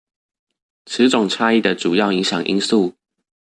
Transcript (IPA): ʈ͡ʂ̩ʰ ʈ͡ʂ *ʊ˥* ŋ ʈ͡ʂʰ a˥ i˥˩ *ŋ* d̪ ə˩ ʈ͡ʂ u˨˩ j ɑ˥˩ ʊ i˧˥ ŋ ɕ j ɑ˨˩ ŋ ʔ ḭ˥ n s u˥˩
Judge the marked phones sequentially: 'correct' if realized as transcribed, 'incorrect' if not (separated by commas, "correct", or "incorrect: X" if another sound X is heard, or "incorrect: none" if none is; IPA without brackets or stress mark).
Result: incorrect: ʊ˨˩, incorrect: none